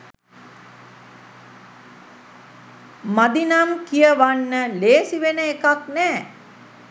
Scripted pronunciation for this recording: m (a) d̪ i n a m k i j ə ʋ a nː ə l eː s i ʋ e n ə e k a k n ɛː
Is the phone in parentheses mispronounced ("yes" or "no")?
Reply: no